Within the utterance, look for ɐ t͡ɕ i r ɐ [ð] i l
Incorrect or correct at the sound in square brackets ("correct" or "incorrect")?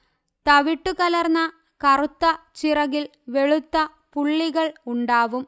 incorrect